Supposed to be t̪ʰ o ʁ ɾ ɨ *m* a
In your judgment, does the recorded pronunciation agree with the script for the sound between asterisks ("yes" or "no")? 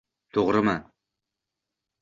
yes